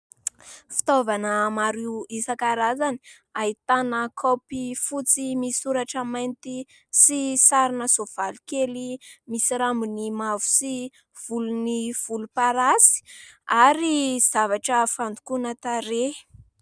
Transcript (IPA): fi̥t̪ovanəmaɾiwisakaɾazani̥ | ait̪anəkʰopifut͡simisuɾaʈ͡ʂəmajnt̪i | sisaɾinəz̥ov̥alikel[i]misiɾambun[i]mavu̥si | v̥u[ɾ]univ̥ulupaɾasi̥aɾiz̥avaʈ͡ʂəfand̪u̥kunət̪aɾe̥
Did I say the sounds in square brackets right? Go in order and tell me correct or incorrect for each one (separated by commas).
correct, correct, incorrect